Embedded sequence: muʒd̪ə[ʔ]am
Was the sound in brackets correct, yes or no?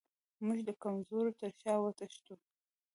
no